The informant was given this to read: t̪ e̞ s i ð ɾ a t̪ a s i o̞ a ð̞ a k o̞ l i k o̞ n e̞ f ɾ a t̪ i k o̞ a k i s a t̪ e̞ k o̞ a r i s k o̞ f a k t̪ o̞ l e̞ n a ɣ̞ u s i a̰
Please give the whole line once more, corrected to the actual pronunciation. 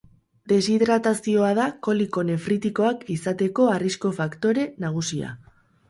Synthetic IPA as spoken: d̪ e̞ s i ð ɾ a t̪ a s i o̞ a ð̞ a k o̞ l i k o̞ n e̞ f ɾ i t̪ i k o̞ a k i s a t̪ e̞ k o̞ a r i s k o̞ f a k t̪ o̞ ɾ e̞ n a ɣ̞ u s i a̰